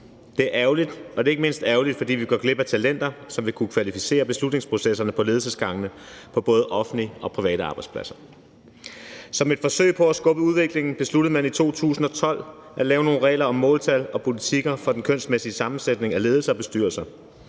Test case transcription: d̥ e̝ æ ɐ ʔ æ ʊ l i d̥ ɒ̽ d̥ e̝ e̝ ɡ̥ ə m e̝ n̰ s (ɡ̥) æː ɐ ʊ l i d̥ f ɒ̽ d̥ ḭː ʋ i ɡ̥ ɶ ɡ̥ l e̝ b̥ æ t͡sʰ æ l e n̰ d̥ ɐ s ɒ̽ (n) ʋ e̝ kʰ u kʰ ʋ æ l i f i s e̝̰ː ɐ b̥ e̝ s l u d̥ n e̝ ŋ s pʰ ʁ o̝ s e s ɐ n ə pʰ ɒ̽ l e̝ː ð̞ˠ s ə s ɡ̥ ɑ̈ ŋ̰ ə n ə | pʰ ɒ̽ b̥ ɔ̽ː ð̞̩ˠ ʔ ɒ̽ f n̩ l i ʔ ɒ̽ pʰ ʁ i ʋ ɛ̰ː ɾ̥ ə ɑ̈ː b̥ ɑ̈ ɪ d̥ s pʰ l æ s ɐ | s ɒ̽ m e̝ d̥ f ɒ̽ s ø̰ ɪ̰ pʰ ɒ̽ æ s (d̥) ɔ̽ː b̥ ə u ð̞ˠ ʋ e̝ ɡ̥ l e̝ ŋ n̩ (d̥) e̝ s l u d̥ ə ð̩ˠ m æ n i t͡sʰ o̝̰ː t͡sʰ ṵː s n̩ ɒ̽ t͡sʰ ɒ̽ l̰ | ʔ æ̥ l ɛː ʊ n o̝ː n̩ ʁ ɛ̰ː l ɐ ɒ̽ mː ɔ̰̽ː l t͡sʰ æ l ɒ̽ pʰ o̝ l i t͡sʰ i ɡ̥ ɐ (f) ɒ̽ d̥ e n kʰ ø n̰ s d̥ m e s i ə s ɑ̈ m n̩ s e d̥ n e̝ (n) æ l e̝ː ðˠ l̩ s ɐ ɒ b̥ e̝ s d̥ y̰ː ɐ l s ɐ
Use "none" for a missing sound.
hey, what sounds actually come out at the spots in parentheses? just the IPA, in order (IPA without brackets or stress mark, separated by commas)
d̥, m, ɡ̥, b̥, f, ŋ